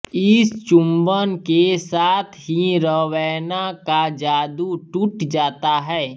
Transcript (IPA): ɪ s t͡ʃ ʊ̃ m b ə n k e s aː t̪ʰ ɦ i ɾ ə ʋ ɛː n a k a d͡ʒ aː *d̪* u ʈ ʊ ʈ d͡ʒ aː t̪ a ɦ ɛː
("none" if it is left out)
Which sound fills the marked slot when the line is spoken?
d̪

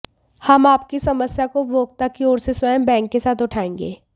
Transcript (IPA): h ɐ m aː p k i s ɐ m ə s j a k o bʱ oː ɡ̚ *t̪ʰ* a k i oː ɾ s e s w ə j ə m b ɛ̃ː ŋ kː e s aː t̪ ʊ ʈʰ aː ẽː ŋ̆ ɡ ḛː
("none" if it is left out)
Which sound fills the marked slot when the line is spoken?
t̪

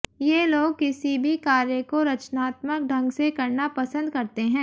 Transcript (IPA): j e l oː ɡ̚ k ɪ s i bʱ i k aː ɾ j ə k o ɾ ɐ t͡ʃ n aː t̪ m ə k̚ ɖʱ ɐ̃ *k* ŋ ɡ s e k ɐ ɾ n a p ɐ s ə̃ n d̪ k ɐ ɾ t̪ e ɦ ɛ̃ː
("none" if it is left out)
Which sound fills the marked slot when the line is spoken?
none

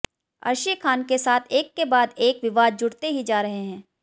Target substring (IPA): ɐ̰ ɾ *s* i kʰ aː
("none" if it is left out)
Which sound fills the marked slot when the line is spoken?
ʃ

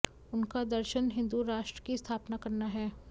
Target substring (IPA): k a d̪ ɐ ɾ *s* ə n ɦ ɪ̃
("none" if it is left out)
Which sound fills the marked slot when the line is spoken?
ʃ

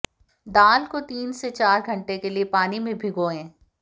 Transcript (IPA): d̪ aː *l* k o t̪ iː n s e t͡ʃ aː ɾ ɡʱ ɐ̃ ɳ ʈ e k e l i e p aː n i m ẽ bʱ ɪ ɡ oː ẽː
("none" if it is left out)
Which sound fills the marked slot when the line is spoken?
l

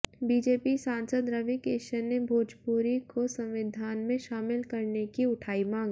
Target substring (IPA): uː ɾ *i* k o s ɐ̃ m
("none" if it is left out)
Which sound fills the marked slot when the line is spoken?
i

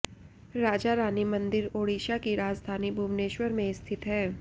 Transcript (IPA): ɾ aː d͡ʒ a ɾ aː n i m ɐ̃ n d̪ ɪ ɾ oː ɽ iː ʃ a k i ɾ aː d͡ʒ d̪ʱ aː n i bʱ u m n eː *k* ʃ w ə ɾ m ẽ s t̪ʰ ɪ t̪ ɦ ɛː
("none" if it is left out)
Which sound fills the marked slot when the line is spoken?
none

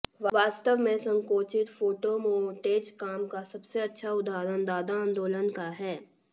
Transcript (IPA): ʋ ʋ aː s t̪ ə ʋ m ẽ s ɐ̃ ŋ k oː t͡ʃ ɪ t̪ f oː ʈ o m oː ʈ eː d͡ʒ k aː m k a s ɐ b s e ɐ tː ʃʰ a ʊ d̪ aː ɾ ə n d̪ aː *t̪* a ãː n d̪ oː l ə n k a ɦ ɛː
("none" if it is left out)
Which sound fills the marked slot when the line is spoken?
d̪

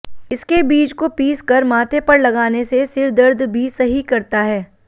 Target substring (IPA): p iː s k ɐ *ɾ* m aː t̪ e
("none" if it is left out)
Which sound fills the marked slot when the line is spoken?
ɾ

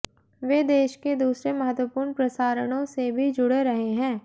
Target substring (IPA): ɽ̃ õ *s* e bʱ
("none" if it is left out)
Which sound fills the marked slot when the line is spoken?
s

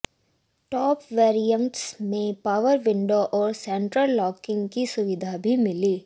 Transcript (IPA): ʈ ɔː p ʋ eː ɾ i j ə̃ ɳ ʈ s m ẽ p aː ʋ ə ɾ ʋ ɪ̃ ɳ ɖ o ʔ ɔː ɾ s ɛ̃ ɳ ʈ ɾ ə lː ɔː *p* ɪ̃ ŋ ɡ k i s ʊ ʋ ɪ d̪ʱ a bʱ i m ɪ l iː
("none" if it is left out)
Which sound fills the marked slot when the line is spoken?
k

